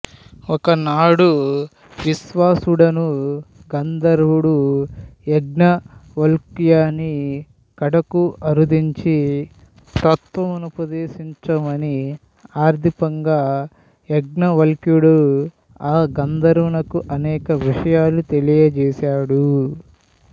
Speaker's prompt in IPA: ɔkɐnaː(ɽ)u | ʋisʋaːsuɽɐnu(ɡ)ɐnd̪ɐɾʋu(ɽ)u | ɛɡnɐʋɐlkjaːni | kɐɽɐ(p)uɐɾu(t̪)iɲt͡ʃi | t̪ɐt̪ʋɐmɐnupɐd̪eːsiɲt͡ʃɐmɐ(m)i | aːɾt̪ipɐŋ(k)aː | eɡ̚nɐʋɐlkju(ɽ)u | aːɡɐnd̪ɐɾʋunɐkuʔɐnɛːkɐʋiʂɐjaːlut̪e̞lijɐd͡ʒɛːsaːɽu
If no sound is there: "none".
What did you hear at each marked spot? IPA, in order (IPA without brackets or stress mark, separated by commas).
ɽ, ɡ, ɽ, k, d̪, n, ɡ, ɽ